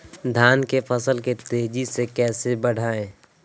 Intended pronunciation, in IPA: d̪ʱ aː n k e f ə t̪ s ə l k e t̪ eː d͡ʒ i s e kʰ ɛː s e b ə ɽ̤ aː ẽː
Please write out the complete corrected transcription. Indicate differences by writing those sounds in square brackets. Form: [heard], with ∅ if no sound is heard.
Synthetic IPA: d̪ʱ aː n k e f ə [∅] s ə l k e t̪ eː d͡ʒ i s e [k] ɛː s e b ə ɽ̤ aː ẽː